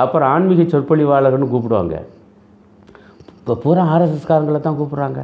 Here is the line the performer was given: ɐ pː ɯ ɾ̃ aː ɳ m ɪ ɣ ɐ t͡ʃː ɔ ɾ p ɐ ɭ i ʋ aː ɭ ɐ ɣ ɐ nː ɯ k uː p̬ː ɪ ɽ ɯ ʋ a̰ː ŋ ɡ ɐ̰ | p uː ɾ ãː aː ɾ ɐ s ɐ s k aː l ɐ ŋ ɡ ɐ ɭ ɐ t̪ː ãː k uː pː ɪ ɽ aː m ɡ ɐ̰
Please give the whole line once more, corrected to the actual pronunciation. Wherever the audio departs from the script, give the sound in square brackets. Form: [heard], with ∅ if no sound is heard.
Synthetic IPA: ɐ pː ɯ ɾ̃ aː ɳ m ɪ ɣ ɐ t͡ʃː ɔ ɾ p ɐ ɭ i ʋ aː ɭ ɐ ɣ ɐ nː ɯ k uː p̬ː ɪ ɽ ɯ ʋ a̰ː ŋ ɡ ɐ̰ | p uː ɾ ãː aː ɾ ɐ s ɐ s k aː [ɾ] ɐ ŋ ɡ ɐ ɭ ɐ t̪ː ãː k uː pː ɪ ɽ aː [ŋ] ɡ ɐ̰